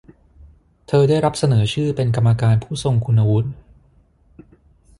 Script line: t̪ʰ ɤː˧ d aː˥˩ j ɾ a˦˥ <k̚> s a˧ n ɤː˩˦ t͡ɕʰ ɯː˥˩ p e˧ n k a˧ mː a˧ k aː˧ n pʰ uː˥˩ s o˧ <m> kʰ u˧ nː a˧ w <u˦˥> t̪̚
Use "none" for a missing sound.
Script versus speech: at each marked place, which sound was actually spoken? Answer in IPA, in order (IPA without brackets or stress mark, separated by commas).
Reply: p̚, ŋ, u˦˥